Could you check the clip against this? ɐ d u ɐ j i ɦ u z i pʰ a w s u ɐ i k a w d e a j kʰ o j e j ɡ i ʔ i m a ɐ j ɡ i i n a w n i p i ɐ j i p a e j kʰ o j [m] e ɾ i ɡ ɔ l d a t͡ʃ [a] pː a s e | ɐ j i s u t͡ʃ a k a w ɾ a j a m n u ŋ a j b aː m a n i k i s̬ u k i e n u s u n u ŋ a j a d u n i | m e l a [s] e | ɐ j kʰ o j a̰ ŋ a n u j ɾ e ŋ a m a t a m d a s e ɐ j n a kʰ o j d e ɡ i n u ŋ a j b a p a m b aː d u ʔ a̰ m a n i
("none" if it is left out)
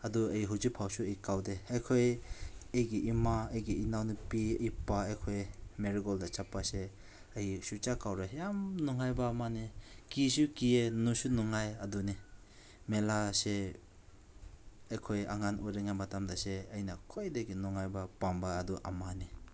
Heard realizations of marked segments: m, a, s

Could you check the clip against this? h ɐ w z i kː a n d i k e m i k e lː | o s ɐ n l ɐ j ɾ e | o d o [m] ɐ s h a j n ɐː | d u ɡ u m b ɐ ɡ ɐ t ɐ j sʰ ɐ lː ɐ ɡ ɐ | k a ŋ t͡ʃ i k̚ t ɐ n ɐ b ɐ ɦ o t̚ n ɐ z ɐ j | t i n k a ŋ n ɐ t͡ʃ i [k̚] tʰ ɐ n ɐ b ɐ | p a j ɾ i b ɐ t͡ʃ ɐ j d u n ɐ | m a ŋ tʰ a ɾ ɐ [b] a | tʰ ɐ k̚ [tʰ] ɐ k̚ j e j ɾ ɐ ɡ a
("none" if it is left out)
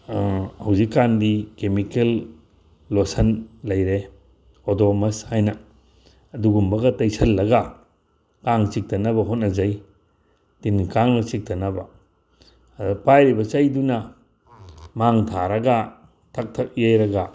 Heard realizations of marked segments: m, k̚, ɡ, tʰ

